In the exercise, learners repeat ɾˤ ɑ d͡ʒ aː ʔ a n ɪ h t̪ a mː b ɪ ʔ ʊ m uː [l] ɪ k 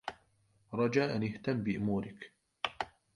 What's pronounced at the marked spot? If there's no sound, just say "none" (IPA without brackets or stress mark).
ɾ